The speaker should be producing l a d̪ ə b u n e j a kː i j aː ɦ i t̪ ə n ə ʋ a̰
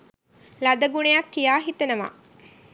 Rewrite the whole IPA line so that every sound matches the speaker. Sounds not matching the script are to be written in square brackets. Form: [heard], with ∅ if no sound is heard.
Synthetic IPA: l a d̪ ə [ɡ] u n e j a kː i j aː ɦ i t̪ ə n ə ʋ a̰